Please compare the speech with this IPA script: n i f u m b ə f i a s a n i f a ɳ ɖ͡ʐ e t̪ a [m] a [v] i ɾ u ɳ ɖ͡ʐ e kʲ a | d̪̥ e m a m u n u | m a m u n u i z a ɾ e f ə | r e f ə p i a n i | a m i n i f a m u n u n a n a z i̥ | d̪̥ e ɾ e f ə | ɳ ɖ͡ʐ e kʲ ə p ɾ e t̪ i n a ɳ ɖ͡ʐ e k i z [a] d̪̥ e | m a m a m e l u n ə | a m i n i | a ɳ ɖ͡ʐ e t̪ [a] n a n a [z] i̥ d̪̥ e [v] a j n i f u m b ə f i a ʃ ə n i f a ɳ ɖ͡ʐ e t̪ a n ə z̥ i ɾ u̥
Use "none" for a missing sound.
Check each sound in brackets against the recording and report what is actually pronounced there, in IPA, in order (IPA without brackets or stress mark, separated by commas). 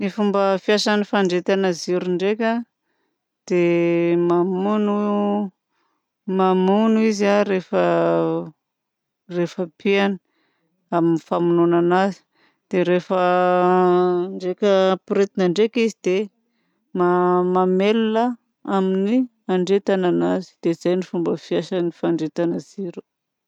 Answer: n, z, i, a, z, z